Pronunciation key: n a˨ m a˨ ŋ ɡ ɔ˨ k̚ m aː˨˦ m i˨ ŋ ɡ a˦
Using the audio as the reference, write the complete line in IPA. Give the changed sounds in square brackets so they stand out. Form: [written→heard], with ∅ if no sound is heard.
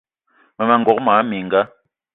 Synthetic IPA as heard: [n→m] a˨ m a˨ ŋ ɡ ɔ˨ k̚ m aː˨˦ m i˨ ŋ ɡ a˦